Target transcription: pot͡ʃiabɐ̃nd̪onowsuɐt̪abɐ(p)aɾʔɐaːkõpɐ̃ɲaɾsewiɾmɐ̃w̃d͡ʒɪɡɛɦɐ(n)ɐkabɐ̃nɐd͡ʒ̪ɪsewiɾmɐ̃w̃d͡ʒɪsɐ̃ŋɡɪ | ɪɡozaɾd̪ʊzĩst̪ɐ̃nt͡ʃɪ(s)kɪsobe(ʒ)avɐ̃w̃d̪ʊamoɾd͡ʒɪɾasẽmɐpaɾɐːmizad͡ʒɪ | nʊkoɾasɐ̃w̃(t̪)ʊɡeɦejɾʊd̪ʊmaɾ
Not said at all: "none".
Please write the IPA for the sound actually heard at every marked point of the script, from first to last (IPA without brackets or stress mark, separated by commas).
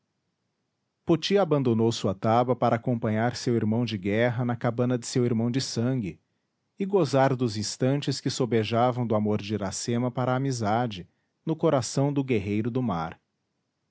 p, n, s, ʒ, d̪